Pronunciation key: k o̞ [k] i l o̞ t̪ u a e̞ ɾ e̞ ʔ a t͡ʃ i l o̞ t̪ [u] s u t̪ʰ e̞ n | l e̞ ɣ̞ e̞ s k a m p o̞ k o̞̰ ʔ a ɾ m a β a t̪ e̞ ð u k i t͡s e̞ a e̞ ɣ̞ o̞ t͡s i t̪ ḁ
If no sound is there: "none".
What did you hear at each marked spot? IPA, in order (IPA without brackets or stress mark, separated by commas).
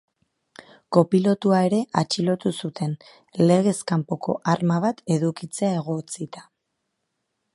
p, u